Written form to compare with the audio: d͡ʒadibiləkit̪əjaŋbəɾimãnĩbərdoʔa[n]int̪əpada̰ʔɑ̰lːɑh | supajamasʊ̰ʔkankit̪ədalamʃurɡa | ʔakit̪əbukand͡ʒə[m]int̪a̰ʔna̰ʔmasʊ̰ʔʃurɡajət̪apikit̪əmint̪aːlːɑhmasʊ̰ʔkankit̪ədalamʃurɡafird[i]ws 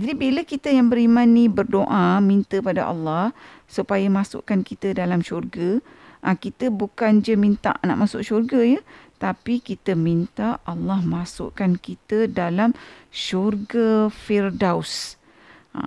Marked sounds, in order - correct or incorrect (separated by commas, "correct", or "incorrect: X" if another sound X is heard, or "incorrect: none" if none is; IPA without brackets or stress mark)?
incorrect: m, correct, incorrect: a